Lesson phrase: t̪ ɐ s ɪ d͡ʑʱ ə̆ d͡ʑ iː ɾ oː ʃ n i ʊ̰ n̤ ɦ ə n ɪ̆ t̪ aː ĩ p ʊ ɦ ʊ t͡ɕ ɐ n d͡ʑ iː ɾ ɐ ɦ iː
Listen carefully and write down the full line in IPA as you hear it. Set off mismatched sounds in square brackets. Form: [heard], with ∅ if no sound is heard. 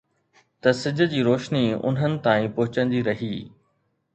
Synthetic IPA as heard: t̪ ɐ s ɪ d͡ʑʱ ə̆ d͡ʑ iː ɾ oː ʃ n i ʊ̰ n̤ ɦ ə n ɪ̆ t̪ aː ĩ p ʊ ɦ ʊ t͡ɕ [ə] n d͡ʑ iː ɾ ɐ ɦ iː